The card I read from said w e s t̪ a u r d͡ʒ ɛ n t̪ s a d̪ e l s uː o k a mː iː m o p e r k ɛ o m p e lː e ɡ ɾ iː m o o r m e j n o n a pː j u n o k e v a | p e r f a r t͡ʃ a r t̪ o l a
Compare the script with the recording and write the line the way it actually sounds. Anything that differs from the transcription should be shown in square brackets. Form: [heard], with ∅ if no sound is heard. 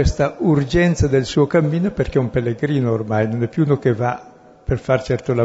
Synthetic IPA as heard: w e s t̪ a u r d͡ʒ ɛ n t̪ s a d̪ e l s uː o k a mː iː [n] o p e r k ɛ [u] m p e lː e ɡ ɾ iː [n] o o r m [a] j n o n [ɛ] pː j u n o k e v a | p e r f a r t͡ʃ [ɛ] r t̪ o l a